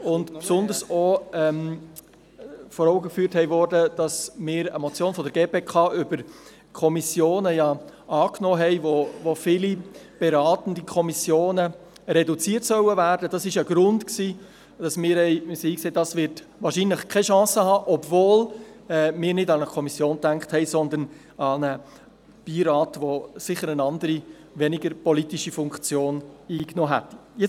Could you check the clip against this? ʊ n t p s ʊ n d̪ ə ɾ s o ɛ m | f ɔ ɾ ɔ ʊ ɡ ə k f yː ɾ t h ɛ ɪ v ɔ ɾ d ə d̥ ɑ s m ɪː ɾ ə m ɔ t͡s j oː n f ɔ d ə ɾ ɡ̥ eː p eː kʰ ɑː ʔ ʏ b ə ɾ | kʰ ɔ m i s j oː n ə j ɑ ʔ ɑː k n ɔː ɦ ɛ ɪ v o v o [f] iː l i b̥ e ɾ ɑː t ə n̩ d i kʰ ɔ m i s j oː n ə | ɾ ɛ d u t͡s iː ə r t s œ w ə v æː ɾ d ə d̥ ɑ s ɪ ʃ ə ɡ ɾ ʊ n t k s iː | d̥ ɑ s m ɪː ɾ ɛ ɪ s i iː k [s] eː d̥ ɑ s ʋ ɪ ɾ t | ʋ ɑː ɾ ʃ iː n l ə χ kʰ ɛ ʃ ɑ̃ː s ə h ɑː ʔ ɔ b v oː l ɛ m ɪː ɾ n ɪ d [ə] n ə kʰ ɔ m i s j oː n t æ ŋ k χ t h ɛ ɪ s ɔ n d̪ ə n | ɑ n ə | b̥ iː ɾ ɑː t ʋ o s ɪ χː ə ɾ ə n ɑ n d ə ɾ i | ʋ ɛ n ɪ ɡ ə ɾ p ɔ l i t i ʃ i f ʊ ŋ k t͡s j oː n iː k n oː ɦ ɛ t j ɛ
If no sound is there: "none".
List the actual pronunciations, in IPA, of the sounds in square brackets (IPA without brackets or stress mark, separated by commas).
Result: f, s, ɑ